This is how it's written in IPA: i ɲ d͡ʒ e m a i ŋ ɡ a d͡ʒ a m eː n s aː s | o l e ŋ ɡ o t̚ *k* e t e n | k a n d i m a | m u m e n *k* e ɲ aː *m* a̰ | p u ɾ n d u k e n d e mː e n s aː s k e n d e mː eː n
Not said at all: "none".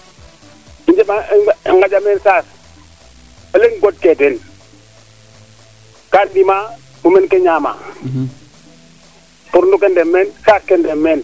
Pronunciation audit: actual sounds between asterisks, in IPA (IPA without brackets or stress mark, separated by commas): k, k, m